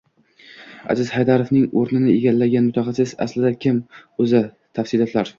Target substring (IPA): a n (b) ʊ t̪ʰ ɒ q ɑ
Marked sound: incorrect: m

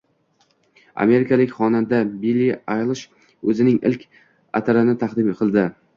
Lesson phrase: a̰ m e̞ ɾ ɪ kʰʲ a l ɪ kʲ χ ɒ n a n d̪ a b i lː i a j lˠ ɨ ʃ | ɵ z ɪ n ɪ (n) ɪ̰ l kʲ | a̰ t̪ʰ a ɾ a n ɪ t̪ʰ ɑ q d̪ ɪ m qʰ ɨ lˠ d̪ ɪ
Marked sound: incorrect: ŋ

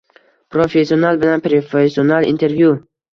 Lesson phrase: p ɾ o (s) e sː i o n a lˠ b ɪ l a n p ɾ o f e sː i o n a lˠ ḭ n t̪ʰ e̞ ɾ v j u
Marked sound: incorrect: f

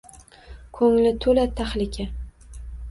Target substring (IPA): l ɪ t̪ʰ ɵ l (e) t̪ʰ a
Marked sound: incorrect: a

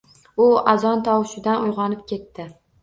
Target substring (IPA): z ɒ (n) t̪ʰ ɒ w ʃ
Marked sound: correct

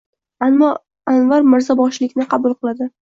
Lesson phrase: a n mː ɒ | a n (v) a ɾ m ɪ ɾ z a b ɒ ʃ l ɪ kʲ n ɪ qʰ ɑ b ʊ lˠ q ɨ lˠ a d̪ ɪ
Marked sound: correct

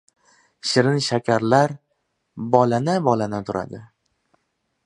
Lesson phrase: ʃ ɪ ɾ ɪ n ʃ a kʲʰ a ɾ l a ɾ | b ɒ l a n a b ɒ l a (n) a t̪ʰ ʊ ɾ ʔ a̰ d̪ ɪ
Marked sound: correct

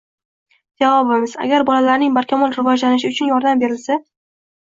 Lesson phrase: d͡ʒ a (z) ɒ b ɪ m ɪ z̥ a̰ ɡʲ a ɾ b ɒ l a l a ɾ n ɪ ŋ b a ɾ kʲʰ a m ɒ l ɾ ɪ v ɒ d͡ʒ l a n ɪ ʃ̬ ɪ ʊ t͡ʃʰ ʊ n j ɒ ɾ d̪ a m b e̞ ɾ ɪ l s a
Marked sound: incorrect: v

